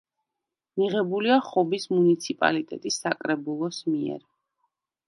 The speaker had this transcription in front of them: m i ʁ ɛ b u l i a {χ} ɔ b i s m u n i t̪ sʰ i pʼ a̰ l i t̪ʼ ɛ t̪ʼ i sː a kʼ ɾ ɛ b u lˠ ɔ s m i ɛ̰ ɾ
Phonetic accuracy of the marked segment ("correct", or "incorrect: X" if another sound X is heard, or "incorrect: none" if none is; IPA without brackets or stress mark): correct